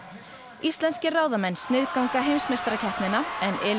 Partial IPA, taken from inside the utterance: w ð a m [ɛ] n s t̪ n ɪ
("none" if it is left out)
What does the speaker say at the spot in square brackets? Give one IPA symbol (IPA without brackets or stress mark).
ɛ